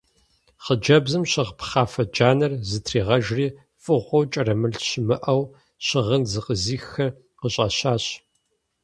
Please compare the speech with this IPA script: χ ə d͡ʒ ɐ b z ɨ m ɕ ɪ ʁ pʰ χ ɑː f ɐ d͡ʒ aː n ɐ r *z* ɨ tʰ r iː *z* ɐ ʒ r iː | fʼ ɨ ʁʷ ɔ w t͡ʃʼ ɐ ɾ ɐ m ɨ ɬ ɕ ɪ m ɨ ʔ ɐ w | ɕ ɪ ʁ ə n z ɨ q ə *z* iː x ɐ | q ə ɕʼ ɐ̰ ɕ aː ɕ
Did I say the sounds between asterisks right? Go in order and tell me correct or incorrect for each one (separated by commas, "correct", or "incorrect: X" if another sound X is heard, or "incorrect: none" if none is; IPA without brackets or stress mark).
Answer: correct, incorrect: ʁ, correct